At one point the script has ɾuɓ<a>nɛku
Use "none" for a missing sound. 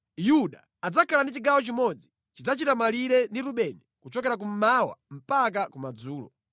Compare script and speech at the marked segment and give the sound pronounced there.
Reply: ɛ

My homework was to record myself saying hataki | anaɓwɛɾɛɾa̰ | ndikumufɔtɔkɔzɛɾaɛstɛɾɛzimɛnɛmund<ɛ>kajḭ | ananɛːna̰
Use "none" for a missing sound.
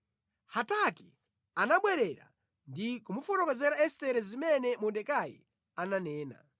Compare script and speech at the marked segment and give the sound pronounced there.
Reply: ɛ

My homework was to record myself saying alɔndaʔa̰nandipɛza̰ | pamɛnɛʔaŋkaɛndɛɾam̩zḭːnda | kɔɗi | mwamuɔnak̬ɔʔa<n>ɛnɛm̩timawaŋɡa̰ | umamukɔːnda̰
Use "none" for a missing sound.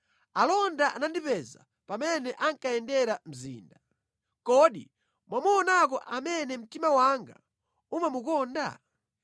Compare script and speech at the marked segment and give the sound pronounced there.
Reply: m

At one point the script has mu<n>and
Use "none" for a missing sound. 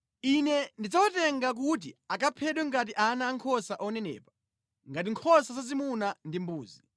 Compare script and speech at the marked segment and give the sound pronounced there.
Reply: n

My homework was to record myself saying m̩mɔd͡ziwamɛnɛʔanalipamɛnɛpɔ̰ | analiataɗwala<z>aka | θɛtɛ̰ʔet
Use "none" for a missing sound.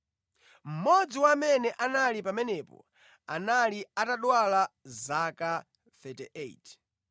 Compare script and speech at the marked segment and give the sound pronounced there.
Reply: z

